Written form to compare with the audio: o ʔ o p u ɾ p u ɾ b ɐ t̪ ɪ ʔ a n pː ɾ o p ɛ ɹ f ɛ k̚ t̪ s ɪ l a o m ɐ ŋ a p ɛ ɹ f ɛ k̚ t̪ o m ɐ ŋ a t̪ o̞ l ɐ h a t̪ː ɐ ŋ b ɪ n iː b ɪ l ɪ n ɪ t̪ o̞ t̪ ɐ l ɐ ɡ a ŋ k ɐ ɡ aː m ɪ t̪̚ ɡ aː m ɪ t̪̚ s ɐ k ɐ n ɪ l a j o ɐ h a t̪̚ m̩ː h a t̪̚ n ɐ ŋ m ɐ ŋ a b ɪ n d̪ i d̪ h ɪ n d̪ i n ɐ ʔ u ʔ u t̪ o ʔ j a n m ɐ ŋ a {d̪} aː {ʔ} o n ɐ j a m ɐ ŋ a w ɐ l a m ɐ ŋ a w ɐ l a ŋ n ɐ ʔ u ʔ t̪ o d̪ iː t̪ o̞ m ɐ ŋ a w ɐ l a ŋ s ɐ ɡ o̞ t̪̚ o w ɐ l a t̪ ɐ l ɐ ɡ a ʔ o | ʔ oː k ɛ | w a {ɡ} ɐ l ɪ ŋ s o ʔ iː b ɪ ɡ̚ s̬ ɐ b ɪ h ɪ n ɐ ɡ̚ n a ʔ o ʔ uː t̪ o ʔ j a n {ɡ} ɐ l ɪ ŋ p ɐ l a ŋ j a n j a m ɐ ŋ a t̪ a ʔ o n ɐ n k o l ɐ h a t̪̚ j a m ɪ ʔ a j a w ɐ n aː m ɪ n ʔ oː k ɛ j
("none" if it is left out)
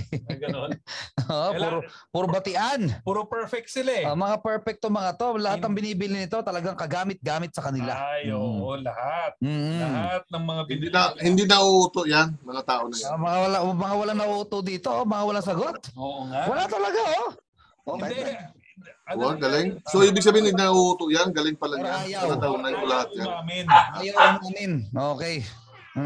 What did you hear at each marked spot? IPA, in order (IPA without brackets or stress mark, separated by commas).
t̪, ʔ, ɡ, ɡ